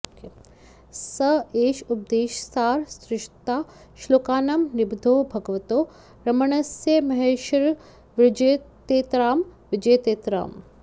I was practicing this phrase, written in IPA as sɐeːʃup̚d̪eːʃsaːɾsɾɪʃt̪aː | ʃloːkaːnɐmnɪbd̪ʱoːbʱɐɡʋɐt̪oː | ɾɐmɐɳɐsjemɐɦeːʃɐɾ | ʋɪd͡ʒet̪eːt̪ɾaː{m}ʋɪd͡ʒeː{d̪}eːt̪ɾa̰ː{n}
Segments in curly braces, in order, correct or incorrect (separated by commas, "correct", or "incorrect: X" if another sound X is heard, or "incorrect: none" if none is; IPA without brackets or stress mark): correct, incorrect: t̪, incorrect: m